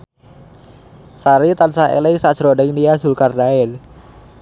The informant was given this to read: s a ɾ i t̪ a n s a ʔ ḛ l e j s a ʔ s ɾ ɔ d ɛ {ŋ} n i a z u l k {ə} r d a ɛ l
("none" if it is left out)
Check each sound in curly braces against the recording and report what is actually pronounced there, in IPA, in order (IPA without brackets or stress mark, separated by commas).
ŋ, a